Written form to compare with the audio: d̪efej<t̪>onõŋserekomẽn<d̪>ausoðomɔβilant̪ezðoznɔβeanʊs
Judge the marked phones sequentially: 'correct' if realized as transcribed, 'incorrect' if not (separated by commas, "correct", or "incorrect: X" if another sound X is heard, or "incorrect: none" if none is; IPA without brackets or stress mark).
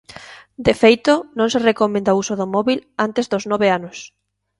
correct, correct